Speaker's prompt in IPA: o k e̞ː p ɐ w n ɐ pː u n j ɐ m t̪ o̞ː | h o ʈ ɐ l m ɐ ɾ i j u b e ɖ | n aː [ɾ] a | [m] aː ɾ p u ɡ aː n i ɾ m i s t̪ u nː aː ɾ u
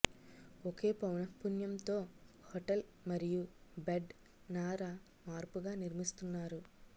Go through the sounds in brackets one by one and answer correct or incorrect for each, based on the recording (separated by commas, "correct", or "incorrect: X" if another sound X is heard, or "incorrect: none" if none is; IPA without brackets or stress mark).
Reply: correct, correct